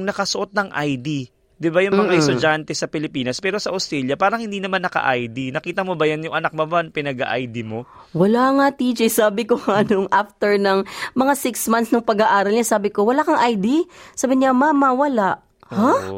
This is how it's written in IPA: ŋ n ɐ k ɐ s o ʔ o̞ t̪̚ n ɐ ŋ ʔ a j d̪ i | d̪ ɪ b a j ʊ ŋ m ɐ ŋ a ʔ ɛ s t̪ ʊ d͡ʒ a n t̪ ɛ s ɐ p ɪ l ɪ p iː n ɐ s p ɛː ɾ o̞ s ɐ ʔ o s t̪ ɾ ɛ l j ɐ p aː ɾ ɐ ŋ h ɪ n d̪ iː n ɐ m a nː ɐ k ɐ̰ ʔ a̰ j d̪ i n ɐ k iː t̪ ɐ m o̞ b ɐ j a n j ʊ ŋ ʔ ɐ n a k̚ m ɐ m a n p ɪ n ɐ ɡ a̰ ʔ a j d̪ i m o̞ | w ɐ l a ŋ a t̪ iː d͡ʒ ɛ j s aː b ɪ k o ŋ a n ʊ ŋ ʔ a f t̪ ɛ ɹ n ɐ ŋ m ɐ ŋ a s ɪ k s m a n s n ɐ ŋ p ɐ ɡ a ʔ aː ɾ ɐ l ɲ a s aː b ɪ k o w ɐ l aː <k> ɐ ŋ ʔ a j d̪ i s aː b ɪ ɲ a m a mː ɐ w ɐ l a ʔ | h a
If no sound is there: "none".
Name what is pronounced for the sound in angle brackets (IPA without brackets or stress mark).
k